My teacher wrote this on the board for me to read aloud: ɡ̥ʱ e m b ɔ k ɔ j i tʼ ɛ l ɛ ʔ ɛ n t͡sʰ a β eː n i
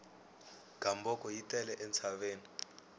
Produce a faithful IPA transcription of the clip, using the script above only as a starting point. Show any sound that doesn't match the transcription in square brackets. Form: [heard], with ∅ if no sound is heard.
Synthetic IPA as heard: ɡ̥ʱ [a] m b ɔ k ɔ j i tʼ ɛ l ɛ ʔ ɛ n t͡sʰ a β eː n i